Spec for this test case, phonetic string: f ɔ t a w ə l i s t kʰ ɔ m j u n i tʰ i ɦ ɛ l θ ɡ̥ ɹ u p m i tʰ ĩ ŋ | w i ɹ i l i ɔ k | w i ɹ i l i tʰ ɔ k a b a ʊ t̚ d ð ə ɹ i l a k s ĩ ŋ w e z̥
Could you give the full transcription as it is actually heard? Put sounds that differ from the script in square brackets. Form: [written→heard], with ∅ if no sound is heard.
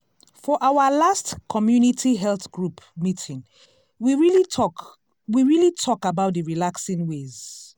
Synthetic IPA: f ɔ [t→ʔ] a w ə l [i→a] s t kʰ ɔ m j u n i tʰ i ɦ ɛ l θ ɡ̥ ɹ u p m i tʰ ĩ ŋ | w i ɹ i l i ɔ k | w i ɹ i l i tʰ ɔ k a b a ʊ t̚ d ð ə ɹ i l a k s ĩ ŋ w e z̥